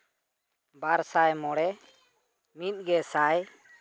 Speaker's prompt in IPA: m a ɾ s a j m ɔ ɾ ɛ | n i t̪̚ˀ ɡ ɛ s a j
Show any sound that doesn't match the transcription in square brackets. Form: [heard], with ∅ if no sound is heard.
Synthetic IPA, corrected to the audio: [b] a ɾ s a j m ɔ [ɽ] ɛ | [m] i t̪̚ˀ ɡ ɛ s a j